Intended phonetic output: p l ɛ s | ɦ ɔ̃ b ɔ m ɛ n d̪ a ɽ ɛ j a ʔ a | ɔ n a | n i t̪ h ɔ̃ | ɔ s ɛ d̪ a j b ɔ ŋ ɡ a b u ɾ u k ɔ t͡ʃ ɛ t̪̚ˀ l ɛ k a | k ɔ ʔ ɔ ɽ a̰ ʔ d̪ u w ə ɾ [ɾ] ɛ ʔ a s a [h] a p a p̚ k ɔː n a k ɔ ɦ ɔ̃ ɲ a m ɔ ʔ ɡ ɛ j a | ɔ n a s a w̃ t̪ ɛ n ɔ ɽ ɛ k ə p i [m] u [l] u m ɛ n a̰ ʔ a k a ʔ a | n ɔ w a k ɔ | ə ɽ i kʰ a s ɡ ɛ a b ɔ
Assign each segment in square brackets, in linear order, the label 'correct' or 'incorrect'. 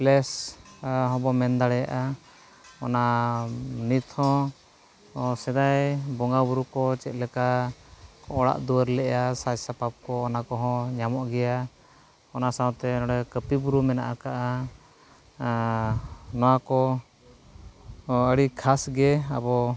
incorrect: l, incorrect: s, incorrect: b, incorrect: ɾ

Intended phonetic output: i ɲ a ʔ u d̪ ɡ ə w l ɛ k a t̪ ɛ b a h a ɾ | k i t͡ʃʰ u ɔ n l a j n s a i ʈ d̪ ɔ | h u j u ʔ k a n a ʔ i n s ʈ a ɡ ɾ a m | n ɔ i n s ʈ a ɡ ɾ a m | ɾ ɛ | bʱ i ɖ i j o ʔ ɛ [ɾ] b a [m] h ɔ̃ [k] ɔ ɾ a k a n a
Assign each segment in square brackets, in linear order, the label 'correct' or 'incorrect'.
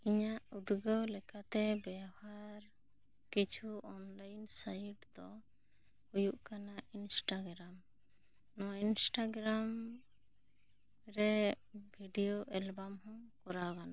incorrect: l, correct, correct

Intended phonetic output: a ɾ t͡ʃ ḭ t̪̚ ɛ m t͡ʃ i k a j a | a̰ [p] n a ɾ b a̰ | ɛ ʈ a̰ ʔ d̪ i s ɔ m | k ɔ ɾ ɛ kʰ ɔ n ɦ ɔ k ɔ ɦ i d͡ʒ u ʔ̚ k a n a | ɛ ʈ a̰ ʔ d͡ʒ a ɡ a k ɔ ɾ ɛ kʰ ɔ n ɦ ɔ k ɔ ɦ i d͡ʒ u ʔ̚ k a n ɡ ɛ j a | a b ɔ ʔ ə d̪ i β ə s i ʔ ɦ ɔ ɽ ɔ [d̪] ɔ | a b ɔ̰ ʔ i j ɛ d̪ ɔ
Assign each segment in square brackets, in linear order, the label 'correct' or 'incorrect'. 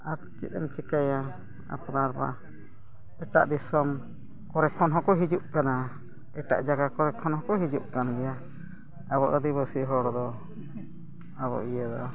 correct, correct

